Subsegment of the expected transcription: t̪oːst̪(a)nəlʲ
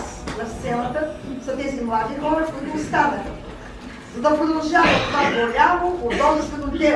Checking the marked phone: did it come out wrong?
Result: no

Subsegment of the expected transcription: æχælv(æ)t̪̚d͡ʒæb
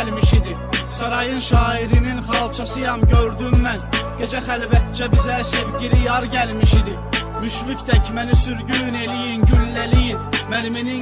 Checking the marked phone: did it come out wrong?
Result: no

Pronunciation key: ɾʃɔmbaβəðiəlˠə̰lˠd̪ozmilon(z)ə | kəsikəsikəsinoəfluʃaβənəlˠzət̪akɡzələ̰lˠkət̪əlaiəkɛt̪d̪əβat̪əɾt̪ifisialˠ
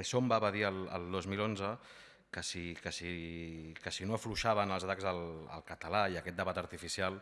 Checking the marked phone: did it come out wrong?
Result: no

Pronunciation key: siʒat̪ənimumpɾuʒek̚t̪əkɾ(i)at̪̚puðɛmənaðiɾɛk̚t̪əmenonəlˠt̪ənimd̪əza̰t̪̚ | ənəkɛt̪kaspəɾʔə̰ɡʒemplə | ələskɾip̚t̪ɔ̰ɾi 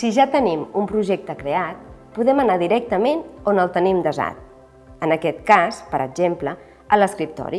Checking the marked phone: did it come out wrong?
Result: yes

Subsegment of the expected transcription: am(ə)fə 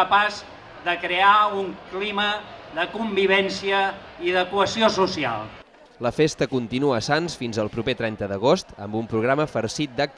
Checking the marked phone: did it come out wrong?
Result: no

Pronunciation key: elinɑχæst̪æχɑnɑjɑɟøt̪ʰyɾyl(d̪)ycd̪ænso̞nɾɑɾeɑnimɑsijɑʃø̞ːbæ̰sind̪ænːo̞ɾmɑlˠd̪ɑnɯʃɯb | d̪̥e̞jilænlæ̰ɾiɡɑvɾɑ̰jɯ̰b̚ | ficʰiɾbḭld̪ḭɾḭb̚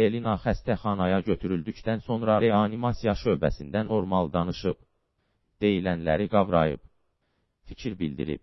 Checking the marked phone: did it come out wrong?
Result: no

